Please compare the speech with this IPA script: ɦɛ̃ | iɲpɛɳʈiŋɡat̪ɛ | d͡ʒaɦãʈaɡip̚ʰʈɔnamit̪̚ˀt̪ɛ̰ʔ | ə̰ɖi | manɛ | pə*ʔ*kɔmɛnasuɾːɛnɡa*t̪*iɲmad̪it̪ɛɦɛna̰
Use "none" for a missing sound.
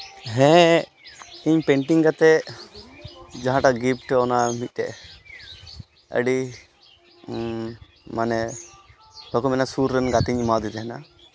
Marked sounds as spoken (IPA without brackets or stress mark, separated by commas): none, t̪